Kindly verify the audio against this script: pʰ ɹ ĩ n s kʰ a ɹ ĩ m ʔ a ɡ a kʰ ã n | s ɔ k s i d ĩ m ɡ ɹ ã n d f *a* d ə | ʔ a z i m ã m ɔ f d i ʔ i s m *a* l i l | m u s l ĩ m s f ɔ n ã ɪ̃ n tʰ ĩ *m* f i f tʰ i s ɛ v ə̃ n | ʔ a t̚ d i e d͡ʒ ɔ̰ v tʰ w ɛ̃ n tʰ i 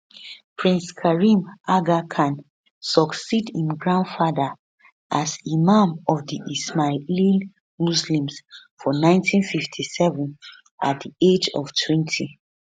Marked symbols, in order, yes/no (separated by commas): yes, yes, no